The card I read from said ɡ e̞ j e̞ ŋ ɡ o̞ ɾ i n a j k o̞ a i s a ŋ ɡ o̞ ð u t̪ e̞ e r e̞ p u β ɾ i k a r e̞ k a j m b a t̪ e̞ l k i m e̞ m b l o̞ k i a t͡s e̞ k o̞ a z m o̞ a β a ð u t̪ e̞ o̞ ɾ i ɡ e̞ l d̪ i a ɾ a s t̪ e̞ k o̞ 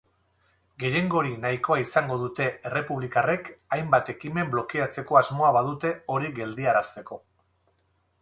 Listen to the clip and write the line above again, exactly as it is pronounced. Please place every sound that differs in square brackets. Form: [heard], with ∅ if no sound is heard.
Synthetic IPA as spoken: ɡ e̞ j e̞ ŋ ɡ o̞ ɾ i n a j k o̞ a i s a ŋ ɡ o̞ ð u t̪ e̞ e r e̞ p u β [l] i k a r e̞ k a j m b a t̪ e̞ [∅] k i m e̞ m b l o̞ k i a t͡s e̞ k o̞ a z m o̞ a β a ð u t̪ e̞ o̞ ɾ i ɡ e̞ l d̪ i a ɾ a s t̪ e̞ k o̞